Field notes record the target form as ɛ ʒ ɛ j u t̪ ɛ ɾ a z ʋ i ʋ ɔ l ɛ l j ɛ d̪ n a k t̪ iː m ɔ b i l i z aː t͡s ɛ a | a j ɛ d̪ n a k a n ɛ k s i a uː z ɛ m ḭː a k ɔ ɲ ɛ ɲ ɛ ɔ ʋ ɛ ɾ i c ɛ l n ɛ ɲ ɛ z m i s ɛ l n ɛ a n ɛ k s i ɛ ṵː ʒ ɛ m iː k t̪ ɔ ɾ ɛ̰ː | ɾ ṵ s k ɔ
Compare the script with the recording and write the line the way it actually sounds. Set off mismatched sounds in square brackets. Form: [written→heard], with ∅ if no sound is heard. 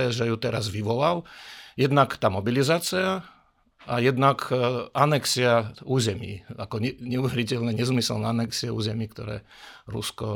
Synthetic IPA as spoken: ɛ ʒ ɛ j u t̪ ɛ ɾ a z ʋ i ʋ ɔ l [ɛ→a] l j ɛ d̪ n a k t̪ [iː→aː] m ɔ b i l i z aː t͡s [ɛ→i] a | a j ɛ d̪ n a k a n ɛ k s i a uː z ɛ m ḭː a k ɔ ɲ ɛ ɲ ɛ [ɔ→u] ʋ ɛ ɾ i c ɛ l n ɛ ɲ ɛ z m i s ɛ l n ɛ a n ɛ k s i ɛ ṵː [ʒ→z] ɛ m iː k t̪ ɔ ɾ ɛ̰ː | ɾ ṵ s k ɔ